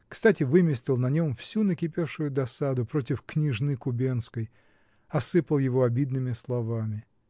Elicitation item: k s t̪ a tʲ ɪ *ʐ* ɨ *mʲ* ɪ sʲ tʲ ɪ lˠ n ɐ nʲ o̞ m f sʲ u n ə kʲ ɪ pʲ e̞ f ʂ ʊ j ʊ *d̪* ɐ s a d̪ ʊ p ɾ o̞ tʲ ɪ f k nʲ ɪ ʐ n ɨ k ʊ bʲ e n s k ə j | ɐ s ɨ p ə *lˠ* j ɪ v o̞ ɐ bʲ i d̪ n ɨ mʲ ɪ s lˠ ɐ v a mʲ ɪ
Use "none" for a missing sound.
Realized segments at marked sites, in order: v, mʲ, d̪, lˠ

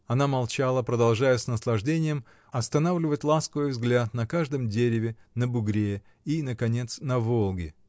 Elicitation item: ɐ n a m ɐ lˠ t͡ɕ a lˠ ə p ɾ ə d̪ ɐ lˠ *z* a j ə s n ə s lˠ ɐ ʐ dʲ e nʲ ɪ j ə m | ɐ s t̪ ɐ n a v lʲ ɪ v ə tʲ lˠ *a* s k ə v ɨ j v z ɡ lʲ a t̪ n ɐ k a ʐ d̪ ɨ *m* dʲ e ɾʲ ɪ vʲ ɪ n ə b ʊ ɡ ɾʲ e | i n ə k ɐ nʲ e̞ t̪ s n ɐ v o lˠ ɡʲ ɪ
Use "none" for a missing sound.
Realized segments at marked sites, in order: ʐ, a, m

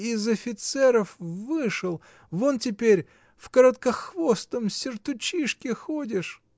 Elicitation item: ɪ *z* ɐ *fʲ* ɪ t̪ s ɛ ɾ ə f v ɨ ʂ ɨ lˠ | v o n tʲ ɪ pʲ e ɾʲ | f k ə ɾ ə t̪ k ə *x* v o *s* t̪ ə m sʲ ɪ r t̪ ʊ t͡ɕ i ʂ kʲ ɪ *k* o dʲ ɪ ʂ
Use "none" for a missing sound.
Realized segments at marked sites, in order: z, fʲ, x, s, x

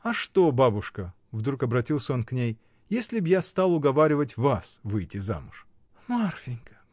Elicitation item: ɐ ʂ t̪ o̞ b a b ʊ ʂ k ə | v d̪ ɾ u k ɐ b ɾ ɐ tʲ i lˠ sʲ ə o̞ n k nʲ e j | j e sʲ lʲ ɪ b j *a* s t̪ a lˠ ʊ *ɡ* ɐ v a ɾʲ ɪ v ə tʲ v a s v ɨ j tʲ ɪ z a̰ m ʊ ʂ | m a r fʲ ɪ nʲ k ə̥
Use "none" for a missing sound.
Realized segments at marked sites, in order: a, ɡ

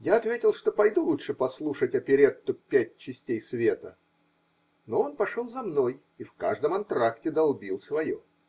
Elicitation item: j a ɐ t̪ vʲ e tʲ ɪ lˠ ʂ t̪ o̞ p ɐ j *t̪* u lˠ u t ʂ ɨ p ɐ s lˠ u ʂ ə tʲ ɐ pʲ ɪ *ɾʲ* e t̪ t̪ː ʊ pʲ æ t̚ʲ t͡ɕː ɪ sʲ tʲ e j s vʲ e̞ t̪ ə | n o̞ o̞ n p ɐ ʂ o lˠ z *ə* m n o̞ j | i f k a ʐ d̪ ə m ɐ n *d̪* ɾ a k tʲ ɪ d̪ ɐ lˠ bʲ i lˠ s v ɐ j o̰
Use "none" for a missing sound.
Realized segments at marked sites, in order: d̪, ɾʲ, ɐ, t̪

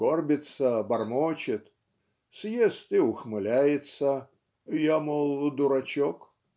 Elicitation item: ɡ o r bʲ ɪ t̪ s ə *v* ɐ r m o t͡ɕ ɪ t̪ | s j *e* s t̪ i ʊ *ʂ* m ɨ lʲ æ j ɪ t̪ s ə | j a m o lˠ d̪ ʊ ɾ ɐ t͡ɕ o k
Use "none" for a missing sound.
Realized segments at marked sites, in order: b, e, x

